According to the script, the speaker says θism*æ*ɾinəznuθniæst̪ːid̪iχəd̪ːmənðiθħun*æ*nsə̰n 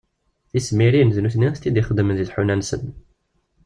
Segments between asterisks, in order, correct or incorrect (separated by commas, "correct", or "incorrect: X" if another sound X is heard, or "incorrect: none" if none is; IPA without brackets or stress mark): incorrect: i, correct